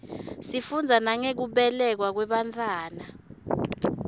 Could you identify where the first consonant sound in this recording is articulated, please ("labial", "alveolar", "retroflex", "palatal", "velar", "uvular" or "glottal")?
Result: alveolar